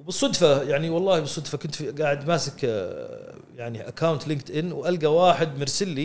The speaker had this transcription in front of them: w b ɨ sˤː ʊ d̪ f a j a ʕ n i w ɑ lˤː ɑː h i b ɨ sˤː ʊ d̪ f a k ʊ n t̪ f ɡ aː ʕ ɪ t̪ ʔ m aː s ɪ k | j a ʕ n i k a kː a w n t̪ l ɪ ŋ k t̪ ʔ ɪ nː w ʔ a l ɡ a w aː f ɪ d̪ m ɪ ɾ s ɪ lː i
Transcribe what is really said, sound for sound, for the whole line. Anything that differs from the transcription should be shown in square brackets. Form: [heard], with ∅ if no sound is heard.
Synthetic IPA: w b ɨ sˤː ʊ d̪ f a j a ʕ n i w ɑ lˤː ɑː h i b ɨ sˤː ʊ d̪ f a k ʊ n t̪ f ɡ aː ʕ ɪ [d̪] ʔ m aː s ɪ k | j a ʕ n i [ʔ] a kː a w n t̪ l ɪ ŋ k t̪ ʔ ɪ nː w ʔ a l ɡ a w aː [ħ] ɪ d̪ m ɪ ɾ s ɪ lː i